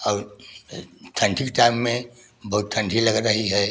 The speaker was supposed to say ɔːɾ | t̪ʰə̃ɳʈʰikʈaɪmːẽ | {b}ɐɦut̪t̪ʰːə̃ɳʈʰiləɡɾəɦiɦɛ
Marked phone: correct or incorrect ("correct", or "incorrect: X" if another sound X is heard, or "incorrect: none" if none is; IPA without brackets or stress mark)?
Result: correct